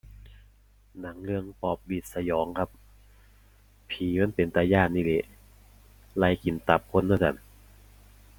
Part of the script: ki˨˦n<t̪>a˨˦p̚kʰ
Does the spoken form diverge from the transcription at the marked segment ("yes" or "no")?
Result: no